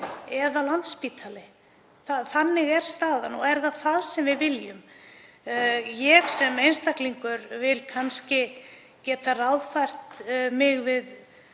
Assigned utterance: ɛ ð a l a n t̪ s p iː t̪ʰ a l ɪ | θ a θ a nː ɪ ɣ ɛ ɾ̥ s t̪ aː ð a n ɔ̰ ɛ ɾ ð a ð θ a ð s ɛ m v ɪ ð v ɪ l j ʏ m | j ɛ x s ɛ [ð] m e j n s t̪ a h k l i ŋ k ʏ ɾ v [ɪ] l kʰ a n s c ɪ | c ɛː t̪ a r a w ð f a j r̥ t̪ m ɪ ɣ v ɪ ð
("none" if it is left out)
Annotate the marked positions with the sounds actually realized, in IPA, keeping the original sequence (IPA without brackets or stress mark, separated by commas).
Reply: none, ɪ